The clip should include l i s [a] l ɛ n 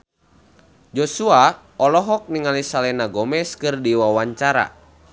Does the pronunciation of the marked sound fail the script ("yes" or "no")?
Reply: no